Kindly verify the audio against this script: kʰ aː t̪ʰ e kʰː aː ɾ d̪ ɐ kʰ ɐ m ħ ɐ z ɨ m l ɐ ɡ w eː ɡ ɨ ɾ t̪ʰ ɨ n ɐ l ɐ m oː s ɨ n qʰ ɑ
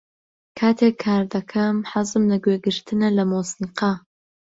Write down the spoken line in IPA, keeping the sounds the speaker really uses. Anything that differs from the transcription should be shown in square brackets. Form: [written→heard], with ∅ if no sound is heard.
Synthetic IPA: kʰ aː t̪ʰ e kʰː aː ɾ d̪ ɐ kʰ ɐ m ħ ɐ z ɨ m l ɐ ɡ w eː ɡ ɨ ɾ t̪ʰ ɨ n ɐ l ɐ m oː s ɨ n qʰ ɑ